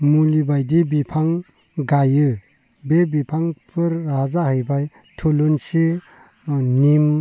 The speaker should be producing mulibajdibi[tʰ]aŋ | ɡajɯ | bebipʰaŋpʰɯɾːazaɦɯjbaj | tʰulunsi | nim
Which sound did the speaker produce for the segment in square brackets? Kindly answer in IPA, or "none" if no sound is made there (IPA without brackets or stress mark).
pʰ